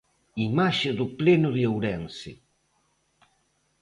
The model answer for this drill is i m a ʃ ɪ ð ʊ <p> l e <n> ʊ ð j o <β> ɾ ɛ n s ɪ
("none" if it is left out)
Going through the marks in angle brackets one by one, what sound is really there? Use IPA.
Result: p, n, w

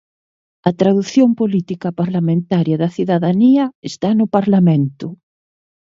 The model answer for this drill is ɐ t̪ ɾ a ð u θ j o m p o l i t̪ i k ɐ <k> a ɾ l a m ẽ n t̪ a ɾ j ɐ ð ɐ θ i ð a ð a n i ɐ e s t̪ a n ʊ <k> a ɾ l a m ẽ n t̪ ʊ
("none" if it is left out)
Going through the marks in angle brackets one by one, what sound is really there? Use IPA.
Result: p, p

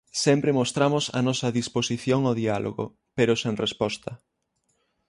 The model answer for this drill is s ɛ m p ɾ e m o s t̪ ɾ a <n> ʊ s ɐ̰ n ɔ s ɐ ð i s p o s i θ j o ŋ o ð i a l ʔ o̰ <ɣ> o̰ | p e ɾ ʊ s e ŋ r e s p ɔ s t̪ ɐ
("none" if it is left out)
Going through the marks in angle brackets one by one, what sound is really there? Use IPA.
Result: m, ɣ

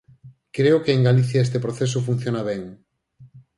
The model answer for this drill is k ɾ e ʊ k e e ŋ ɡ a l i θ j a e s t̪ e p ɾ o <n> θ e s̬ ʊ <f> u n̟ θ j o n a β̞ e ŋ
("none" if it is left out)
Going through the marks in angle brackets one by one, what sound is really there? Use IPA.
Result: none, f

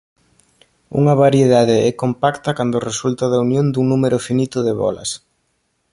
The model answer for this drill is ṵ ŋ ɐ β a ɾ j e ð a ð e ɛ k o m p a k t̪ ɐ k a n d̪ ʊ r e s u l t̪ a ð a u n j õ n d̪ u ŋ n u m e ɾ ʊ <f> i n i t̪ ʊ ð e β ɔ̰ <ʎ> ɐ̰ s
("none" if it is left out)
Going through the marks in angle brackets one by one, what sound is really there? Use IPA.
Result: f, l

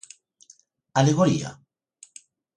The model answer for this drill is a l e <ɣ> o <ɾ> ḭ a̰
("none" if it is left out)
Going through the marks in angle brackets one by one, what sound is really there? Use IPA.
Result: ɣ, ɾ

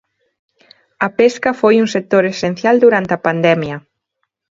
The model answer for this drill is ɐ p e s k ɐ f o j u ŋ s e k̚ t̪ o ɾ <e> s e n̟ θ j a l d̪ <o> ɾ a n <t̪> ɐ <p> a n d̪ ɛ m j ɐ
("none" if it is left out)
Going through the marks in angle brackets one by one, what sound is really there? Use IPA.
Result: e, u, t̪, p

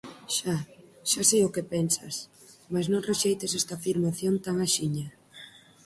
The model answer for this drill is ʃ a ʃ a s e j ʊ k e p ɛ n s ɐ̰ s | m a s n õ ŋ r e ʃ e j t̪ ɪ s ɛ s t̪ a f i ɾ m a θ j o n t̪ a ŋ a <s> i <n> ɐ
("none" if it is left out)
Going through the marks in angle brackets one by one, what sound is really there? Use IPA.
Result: ʃ, ɲ

